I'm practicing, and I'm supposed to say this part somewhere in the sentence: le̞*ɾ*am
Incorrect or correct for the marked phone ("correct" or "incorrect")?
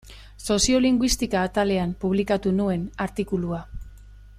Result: incorrect